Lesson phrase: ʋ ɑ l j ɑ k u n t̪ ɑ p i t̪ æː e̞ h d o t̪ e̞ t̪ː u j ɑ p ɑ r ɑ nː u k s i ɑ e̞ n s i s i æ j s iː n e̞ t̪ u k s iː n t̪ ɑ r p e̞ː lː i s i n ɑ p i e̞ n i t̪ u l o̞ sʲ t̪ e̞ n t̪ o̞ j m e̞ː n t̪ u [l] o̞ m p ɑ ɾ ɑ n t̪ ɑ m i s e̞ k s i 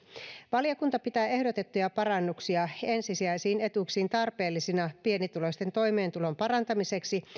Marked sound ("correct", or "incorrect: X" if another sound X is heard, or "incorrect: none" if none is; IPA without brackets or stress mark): correct